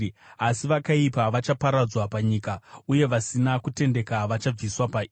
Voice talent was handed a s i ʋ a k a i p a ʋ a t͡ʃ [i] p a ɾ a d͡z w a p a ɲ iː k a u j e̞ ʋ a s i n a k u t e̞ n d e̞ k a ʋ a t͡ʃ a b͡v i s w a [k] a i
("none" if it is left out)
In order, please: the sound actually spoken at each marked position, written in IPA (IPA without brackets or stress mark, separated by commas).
a, p